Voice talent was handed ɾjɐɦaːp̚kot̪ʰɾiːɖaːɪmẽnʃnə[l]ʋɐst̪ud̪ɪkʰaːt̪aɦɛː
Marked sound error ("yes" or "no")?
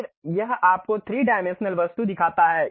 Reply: no